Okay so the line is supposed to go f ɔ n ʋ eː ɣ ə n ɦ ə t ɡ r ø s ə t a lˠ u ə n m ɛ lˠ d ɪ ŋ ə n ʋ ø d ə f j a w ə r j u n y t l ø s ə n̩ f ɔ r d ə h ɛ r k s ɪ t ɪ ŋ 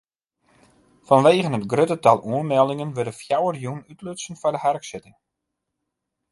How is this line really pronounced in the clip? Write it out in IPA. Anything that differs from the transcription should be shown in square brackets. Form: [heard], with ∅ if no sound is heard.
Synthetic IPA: f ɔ n ʋ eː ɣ ə n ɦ ə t ɡ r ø [t] ə t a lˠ u ə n m ɛ lˠ d ɪ ŋ ə n ʋ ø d ə f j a w ə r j u n y t l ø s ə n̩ f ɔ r d ə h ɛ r k s ɪ t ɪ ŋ